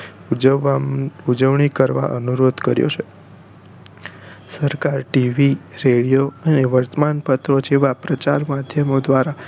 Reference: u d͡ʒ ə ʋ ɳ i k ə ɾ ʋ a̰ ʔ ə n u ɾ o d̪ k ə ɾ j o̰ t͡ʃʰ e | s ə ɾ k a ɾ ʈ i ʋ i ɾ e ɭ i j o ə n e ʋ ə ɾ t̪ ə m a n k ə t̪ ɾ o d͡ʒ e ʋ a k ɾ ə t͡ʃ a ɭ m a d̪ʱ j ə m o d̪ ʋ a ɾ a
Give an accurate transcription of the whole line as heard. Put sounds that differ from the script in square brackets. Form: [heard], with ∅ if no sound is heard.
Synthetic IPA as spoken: u d͡ʒ ə ʋ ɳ i k ə ɾ ʋ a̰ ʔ ə n u ɾ o d̪ k ə ɾ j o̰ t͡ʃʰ e | s ə ɾ k a ɾ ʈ i ʋ i ɾ e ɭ i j o ə n e ʋ ə ɾ t̪ ə m a n [p] ə t̪ ɾ o d͡ʒ e ʋ a [p] ɾ ə t͡ʃ a [ɾ] m a d̪ʱ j ə m o d̪ ʋ a ɾ a